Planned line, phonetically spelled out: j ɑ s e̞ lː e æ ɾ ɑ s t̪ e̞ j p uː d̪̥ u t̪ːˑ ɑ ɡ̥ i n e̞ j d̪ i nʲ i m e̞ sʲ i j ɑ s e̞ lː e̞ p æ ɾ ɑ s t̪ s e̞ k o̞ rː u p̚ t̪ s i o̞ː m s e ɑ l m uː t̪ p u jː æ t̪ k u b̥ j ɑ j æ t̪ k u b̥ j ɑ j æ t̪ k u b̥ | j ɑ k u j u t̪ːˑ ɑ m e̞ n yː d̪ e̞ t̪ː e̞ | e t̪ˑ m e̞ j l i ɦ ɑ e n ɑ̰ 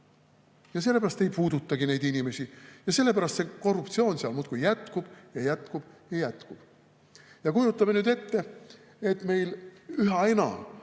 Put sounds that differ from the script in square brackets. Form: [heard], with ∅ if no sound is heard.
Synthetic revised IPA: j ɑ s e̞ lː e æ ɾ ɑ s t̪ e̞ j p uː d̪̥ u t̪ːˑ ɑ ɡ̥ i n e̞ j d̪ i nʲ i m e̞ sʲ i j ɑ s e̞ lː e̞ p æ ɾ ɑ s t̪ s e̞ k o̞ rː u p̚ t̪ s i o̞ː [n] s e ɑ l m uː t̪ [k] u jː æ t̪ k u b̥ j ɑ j æ t̪ k u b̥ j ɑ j æ t̪ k u b̥ | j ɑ k u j u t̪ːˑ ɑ m e̞ n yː d̪ e̞ t̪ː e̞ | e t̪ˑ m e̞ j l [y] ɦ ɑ e n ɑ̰